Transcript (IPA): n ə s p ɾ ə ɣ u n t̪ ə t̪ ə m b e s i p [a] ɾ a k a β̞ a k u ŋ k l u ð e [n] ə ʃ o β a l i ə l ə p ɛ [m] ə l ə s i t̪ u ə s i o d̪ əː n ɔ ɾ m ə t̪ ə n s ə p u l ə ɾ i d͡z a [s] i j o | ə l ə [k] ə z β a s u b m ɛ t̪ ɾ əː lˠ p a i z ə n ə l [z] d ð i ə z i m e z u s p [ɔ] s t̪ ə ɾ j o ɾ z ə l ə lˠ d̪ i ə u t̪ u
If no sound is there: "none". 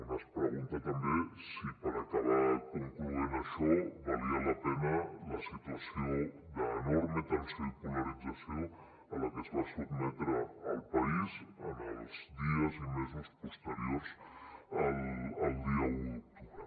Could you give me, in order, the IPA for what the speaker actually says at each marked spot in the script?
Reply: ə, n, n, s, k, z, u

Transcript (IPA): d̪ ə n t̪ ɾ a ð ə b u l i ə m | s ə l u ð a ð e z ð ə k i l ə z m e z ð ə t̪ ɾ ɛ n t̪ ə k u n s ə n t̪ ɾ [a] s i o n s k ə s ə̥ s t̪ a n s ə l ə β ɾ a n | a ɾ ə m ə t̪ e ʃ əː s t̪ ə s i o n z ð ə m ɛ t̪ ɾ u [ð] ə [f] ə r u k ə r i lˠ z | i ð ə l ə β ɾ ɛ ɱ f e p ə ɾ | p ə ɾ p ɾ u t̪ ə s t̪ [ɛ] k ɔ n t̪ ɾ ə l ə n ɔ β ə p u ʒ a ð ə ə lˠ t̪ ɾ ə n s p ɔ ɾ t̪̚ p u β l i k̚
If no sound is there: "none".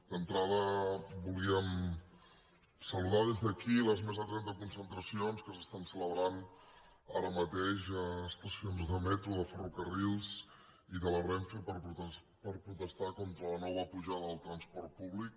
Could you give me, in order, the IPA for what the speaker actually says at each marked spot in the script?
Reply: ə, ð, f, a

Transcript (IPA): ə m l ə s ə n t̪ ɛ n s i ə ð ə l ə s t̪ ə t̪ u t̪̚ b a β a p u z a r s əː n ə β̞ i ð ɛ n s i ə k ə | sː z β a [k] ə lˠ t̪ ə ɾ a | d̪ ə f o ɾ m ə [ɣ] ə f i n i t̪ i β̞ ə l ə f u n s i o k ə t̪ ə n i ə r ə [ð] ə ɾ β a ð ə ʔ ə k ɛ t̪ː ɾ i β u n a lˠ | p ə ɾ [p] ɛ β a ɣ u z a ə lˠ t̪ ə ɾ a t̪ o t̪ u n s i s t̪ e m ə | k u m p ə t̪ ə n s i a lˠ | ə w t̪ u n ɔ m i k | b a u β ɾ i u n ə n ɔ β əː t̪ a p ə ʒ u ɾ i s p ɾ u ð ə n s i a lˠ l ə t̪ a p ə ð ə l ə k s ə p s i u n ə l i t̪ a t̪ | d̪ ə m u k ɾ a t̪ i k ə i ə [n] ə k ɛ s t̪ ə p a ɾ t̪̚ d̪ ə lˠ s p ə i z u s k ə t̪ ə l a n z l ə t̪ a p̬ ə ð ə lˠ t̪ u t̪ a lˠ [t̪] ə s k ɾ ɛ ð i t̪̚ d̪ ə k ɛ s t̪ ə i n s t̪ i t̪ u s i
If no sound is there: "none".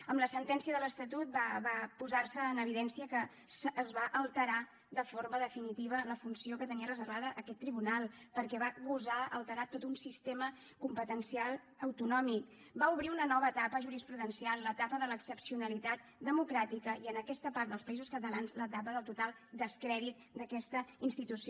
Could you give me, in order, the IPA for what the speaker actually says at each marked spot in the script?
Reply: ʔ, ð, z, k, n, d̪

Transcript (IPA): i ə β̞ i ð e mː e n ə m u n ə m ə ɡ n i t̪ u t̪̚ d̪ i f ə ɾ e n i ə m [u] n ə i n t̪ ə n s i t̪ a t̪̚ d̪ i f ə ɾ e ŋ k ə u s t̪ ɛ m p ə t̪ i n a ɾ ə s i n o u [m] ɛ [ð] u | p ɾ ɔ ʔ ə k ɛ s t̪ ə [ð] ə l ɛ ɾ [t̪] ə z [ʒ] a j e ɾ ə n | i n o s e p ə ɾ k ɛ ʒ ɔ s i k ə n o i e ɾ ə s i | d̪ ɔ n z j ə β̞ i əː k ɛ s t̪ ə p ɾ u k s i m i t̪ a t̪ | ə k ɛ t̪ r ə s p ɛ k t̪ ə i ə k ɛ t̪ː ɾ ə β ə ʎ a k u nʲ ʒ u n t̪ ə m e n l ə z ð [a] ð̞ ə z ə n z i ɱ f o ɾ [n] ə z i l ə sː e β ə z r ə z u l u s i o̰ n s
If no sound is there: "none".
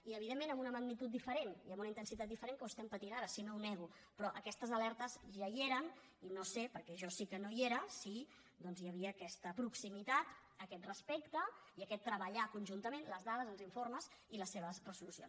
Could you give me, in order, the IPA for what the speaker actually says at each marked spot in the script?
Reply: u, n, ɣ, z, t̪, ʒ, a, m

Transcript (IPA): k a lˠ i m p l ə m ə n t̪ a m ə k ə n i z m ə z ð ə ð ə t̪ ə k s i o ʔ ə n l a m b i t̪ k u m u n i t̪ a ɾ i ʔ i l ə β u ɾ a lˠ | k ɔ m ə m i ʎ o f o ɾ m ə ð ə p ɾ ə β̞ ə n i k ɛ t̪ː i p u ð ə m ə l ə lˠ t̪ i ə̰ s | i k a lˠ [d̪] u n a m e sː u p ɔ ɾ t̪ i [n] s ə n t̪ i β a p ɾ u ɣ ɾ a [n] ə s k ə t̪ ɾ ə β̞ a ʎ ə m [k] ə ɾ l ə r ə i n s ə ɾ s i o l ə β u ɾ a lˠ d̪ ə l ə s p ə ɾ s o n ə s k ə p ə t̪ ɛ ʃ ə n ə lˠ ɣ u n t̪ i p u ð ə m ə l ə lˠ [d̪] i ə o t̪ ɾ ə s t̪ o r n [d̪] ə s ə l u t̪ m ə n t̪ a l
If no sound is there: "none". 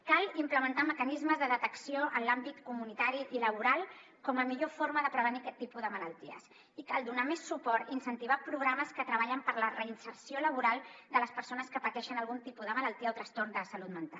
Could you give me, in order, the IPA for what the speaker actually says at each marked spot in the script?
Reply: d̪, n, m, p, t̪, d̪

